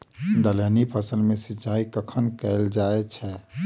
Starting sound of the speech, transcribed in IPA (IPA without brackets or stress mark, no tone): d̪